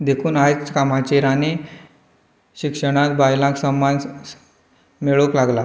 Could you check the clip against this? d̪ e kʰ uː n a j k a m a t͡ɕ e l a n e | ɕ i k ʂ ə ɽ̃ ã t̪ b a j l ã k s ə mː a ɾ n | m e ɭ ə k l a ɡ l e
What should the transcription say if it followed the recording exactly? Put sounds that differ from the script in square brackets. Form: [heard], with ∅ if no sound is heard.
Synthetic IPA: d̪ e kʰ uː n a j k a m a t͡ɕ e [ɾ] a n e | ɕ i k ʂ ə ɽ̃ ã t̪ b a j l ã k s ə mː a [∅] n | m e ɭ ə k l a ɡ l [a]